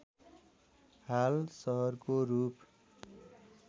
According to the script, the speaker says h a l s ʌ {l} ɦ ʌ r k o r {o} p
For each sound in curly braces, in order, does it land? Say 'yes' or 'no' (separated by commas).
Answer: no, no